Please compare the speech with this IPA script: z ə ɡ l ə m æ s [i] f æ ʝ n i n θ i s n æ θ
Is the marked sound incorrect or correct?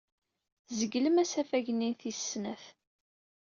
incorrect